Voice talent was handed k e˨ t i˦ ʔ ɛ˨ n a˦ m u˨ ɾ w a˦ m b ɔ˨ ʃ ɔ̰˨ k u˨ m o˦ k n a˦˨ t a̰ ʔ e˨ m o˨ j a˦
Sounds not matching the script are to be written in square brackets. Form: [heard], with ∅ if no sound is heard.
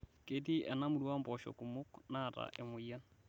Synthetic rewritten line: k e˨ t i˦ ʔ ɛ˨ n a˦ m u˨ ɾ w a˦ m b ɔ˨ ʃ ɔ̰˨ k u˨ m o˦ k n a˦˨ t a̰ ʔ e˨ m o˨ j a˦